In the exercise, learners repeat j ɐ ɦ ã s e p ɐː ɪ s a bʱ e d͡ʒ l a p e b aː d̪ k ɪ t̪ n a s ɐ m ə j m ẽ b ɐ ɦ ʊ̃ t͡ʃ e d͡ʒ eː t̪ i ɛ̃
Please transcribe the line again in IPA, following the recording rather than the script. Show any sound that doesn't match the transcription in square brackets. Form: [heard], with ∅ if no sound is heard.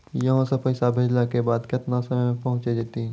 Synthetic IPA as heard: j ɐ ɦ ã s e p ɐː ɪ s a bʱ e d͡ʒ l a [k] e b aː d̪ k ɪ t̪ n a s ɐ m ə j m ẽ [p] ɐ ɦ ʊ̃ t͡ʃ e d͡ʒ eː t̪ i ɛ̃